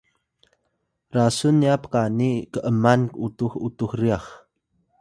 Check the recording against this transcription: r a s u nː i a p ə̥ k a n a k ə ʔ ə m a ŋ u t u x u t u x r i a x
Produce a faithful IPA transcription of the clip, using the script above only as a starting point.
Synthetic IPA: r a s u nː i a p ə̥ k a n i k ə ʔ ə m a n u t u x u t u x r i a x